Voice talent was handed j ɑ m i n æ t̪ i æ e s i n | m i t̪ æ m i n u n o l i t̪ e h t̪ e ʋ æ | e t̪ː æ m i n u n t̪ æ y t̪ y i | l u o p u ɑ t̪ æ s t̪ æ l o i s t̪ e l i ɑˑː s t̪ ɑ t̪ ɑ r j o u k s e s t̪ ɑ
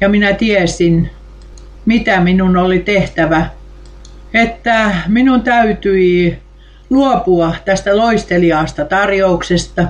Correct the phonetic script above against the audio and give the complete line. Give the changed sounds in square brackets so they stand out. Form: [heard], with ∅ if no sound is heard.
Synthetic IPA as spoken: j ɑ m i n æ t̪ i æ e s i n | m i t̪ æ m i n u n o l i t̪ e h t̪ [æ] ʋ æ | e t̪ː æ m i n u n t̪ æ y t̪ y i | l u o p u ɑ t̪ æ s t̪ æ l o i s t̪ e l i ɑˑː s t̪ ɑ t̪ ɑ r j o u k s e s t̪ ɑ